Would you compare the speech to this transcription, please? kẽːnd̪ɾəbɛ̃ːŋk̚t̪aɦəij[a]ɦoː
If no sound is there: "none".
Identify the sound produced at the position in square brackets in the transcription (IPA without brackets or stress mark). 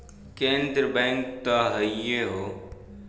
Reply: e